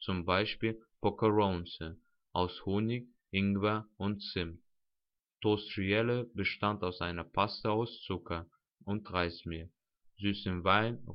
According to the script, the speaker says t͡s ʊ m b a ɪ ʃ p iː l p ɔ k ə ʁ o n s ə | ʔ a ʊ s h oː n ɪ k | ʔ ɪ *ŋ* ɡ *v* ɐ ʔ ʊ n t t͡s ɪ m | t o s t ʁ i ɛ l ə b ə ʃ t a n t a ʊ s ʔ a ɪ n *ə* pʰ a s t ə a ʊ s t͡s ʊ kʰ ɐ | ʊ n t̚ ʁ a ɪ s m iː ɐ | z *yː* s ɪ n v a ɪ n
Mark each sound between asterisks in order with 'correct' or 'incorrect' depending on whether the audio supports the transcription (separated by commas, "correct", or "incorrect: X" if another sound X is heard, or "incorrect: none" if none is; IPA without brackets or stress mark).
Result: correct, correct, incorrect: ɐ, correct